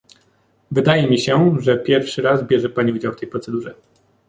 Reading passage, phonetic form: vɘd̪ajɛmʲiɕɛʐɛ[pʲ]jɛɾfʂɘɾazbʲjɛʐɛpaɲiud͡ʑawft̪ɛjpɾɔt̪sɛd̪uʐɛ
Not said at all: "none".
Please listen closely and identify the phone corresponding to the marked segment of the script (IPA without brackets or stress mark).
pʲ